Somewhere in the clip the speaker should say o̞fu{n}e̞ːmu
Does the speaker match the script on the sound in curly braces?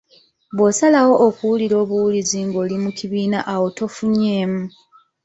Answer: no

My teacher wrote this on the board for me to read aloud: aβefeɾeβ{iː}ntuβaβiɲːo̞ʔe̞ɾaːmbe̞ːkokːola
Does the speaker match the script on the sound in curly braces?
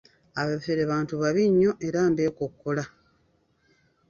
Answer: no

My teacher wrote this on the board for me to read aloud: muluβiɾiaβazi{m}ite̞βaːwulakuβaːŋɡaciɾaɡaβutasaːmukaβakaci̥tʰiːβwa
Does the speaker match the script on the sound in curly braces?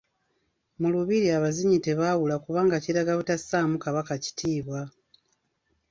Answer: no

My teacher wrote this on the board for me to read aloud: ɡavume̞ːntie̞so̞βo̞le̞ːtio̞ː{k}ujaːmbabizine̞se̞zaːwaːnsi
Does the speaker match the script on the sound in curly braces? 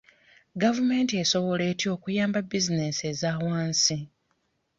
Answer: yes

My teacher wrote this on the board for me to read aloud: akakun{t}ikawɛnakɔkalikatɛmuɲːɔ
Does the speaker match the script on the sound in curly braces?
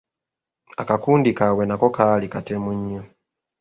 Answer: no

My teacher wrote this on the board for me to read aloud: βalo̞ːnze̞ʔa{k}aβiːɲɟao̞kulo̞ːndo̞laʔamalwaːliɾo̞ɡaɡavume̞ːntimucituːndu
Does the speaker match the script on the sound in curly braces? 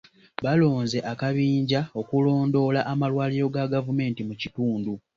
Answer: yes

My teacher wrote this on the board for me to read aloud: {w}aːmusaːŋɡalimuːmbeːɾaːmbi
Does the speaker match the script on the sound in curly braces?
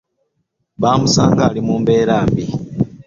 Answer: no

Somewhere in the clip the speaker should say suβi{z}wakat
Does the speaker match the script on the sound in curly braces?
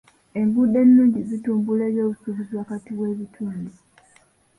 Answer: yes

